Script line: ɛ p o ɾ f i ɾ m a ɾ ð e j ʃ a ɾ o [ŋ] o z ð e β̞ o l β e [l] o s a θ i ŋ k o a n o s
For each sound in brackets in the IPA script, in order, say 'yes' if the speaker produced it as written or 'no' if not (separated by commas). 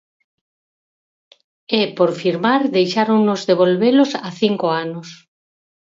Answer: no, yes